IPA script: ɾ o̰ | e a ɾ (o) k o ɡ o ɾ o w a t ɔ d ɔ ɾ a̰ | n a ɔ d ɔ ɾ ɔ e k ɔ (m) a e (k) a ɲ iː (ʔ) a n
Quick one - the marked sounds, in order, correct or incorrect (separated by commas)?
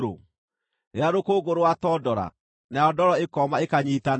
correct, correct, correct, incorrect